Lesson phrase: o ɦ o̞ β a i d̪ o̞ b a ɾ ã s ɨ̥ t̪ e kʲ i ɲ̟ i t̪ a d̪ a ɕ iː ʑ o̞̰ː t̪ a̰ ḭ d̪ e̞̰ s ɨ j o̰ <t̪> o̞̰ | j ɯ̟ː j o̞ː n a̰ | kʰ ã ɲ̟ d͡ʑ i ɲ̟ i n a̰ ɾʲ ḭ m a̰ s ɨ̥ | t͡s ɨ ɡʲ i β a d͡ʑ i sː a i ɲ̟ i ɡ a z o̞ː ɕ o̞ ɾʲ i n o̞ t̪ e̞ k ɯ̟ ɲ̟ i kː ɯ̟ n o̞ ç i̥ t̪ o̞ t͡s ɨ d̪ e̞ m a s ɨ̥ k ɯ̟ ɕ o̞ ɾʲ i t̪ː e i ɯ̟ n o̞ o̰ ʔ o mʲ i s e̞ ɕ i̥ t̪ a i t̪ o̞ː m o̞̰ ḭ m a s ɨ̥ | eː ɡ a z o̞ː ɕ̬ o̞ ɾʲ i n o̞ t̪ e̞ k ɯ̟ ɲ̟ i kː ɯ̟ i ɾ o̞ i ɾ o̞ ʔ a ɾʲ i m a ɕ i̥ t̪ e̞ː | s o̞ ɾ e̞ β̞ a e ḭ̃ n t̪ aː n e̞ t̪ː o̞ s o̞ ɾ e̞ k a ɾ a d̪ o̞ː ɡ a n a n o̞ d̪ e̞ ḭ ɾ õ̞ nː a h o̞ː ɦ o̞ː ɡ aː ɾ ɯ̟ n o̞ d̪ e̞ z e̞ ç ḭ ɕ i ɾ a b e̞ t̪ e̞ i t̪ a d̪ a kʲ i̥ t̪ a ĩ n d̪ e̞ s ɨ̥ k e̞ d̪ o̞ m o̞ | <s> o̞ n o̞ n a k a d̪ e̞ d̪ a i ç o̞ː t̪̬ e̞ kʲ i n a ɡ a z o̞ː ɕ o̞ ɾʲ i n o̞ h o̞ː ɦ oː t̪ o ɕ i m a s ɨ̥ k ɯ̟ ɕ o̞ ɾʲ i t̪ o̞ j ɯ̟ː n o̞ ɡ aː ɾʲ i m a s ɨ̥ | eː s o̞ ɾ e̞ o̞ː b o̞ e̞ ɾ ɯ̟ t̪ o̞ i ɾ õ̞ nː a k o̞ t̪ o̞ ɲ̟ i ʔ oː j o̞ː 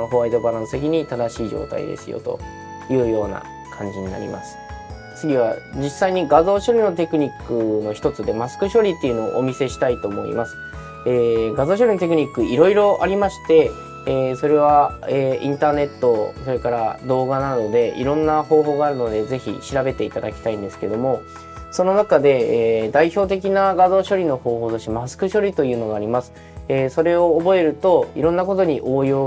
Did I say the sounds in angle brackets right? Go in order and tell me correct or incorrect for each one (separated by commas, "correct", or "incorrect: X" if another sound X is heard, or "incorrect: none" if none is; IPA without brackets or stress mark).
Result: correct, correct